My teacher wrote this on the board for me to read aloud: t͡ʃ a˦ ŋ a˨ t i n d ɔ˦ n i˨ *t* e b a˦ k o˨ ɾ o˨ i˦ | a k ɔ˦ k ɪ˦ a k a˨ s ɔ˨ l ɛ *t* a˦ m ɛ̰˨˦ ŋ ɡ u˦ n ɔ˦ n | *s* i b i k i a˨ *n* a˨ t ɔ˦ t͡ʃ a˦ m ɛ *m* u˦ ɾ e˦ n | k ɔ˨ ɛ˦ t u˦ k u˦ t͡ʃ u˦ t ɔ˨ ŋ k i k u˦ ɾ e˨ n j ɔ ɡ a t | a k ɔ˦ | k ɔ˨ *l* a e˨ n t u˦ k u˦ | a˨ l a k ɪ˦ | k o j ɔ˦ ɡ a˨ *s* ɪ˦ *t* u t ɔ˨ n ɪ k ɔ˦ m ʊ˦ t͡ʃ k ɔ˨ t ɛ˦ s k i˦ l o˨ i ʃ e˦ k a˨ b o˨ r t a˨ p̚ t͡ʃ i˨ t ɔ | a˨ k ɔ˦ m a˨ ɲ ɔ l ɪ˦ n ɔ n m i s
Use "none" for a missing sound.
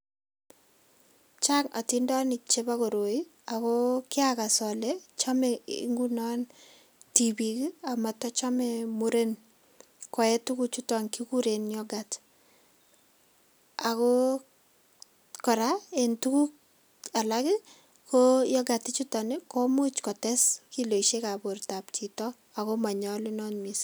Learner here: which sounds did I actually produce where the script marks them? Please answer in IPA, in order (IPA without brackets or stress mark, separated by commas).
t͡ʃ, t͡ʃ, t, m, m, ɾ, t, t͡ʃ